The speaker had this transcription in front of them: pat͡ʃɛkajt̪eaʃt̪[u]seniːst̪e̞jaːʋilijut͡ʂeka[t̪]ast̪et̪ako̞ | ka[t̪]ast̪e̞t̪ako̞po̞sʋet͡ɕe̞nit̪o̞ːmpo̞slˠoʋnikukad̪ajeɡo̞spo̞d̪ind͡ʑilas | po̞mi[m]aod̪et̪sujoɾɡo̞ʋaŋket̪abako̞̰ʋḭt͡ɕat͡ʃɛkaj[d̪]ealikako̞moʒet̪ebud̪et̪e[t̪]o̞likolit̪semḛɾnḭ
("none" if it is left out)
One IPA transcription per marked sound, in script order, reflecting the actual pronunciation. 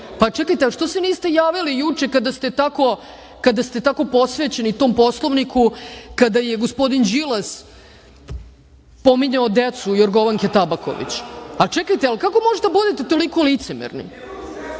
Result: o, d̪, d̪, ɲ, t̪, t̪

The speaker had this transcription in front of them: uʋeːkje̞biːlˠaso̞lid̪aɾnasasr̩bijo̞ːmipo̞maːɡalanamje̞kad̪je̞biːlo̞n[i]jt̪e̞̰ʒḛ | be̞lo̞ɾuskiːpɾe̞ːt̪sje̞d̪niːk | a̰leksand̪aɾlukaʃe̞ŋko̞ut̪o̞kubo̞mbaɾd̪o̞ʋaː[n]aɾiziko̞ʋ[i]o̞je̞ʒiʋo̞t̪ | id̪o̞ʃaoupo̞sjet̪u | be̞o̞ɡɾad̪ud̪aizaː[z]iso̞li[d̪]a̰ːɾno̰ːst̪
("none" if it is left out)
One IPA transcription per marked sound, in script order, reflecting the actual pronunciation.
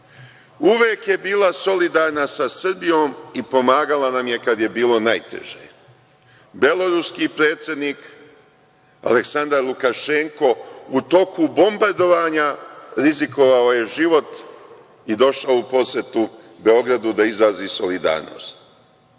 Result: a, ɲ, a, z, d̪

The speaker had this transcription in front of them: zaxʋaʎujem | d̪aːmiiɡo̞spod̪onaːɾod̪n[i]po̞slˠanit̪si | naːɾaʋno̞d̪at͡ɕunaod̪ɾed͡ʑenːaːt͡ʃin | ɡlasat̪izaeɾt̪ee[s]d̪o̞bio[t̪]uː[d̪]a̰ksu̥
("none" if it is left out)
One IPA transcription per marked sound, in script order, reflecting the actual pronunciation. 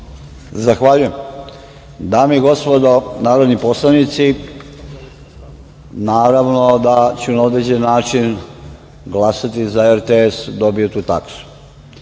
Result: i, s, t̪, t̪

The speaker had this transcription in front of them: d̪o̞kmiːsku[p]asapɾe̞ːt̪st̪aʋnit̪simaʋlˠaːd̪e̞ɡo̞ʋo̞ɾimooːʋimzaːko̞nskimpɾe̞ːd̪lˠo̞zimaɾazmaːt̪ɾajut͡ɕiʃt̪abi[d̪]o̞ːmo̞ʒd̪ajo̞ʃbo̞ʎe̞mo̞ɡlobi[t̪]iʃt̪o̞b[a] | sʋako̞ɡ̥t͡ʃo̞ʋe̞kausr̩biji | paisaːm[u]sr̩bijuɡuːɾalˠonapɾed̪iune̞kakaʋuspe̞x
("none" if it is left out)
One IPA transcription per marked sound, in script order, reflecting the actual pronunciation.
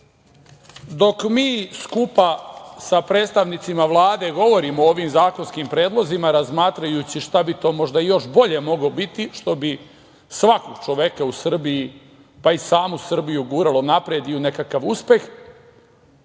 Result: p, t̪, t̪, i, u

